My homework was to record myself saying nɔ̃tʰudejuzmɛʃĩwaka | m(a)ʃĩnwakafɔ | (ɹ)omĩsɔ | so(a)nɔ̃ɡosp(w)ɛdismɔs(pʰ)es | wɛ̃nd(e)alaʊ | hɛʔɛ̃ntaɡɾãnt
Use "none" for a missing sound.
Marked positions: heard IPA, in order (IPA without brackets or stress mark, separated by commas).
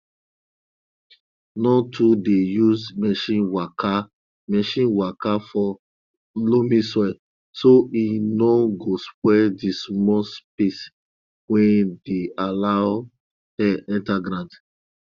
ɛ, l, i, w, p, e